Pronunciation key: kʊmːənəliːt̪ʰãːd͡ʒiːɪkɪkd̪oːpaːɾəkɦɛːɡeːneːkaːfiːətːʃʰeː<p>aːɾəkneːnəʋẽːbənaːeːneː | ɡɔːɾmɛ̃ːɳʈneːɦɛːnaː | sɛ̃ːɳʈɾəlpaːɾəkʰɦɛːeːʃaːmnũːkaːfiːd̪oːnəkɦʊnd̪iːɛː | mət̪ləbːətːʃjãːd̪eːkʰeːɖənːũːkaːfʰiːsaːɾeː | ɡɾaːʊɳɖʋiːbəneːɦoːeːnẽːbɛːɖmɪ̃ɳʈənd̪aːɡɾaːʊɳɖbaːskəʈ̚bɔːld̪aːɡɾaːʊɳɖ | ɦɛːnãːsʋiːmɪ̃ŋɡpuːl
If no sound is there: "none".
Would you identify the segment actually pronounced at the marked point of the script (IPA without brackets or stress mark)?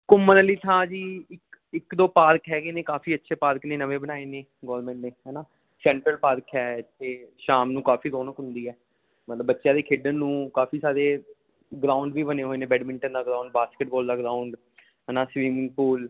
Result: p